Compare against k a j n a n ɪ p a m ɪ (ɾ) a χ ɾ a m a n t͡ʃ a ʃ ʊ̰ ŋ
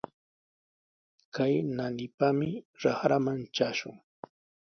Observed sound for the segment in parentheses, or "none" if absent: ɾ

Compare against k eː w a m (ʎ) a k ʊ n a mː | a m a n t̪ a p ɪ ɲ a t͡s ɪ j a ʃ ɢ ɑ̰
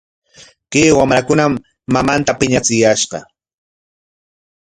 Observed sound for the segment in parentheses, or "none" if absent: ɾ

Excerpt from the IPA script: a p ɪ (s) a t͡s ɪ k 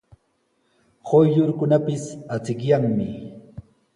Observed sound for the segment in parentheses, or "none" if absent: s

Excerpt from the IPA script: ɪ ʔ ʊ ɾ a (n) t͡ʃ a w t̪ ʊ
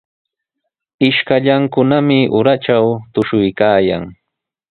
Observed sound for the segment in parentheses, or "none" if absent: none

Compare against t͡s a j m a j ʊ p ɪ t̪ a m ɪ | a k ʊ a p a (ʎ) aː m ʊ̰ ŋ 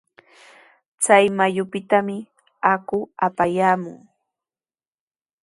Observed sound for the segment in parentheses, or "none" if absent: j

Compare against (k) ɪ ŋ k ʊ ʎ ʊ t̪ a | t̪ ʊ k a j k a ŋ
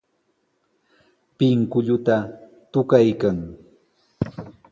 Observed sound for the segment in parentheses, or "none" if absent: p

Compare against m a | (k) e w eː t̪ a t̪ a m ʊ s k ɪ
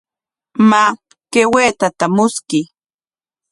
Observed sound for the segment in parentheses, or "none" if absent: k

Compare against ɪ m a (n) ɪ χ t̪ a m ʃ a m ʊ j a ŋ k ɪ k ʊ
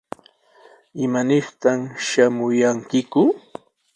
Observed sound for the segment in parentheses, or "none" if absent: n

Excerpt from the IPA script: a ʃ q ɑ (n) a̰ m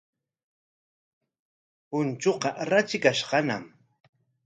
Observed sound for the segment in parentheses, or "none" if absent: n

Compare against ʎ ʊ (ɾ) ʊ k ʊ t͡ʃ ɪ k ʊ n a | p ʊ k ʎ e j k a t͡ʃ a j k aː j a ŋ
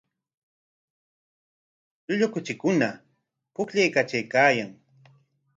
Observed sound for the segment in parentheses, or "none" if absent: ʎ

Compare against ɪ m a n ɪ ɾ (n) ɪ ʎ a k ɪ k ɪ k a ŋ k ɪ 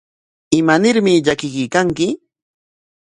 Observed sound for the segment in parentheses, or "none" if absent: m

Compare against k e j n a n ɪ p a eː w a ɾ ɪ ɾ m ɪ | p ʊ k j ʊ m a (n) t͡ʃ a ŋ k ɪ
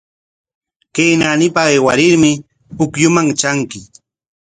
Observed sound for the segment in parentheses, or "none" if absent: ŋ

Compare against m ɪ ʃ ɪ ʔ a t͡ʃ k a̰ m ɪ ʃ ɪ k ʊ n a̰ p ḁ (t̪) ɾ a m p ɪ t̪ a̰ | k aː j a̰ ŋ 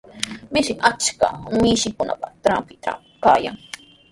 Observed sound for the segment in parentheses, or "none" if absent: t̪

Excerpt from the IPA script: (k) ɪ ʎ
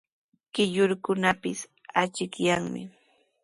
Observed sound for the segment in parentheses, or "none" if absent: k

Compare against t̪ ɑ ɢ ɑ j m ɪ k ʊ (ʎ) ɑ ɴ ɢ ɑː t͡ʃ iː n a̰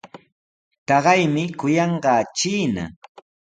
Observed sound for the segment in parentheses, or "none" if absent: j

